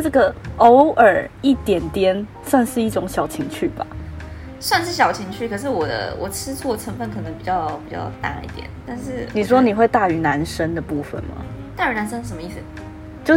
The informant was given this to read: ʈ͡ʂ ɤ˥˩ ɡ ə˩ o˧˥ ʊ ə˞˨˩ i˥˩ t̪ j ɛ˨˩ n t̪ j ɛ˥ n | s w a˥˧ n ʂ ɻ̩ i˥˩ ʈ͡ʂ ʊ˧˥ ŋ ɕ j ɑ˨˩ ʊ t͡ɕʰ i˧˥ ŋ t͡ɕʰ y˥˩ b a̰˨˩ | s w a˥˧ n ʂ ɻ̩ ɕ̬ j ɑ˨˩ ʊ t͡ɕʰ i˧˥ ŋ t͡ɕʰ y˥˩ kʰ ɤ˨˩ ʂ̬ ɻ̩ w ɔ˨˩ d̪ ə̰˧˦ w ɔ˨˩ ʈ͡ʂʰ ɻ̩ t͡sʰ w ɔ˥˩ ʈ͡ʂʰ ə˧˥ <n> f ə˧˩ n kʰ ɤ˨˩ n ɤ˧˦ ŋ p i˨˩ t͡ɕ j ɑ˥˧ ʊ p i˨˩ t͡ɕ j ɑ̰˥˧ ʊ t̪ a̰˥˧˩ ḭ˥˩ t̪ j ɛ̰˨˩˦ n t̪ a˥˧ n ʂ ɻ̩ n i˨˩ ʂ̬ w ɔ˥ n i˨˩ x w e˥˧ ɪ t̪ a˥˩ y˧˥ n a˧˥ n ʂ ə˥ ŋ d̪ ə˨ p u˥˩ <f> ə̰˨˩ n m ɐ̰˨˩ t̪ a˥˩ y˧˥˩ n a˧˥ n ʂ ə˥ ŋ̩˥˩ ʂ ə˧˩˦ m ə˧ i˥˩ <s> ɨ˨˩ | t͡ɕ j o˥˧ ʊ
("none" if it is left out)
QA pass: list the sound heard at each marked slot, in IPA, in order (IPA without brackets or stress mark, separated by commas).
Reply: ŋ, f, s